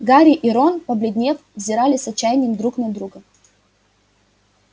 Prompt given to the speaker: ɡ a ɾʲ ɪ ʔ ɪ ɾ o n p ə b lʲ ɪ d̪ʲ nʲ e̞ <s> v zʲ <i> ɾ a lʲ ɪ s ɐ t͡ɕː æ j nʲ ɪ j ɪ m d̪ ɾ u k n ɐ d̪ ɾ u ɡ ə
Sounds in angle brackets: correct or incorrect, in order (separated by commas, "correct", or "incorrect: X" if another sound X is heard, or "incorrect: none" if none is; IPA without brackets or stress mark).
incorrect: f, incorrect: ɪ